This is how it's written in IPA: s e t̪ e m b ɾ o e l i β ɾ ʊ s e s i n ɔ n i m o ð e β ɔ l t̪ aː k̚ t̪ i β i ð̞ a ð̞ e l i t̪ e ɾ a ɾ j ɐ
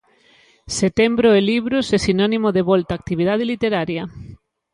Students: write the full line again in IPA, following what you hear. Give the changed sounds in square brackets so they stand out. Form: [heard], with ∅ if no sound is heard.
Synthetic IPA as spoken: s e t̪ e m b ɾ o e l i β ɾ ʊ s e s i n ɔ n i m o ð e β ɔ l t̪ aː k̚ t̪ i β i ð̞ a ð̞ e l i t̪ e ɾ a ɾ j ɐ